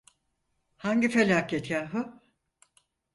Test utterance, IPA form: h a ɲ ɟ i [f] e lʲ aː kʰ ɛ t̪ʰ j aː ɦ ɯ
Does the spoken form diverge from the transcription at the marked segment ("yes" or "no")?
no